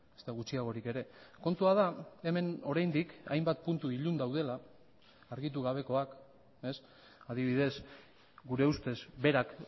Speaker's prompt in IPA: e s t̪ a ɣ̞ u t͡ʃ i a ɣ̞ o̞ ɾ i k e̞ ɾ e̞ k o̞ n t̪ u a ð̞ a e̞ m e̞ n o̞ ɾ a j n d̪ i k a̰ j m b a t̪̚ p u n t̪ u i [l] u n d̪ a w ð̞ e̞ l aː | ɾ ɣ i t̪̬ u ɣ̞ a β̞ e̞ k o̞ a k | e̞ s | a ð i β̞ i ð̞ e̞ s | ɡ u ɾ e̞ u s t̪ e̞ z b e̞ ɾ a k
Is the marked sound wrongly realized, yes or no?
yes